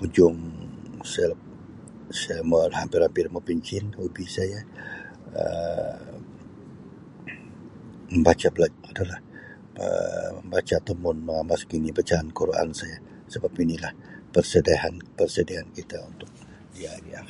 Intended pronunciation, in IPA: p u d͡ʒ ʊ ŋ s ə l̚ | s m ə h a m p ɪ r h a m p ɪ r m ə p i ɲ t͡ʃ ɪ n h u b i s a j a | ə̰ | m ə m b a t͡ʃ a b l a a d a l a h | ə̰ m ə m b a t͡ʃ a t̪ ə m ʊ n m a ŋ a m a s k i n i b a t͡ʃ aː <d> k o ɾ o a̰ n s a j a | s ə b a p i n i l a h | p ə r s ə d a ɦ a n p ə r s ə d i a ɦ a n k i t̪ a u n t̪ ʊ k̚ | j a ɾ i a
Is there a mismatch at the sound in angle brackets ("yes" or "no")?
yes